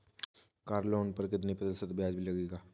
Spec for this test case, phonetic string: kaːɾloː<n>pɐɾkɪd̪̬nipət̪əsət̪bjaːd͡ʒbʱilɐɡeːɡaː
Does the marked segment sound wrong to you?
no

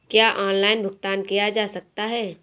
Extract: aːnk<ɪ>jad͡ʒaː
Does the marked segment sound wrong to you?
yes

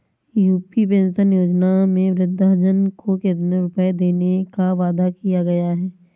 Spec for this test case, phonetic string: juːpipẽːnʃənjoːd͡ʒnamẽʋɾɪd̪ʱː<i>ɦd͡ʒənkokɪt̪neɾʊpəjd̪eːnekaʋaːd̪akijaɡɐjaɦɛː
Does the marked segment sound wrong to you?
yes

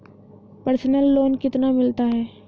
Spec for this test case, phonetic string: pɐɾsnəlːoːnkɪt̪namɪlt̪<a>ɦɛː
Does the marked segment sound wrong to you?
no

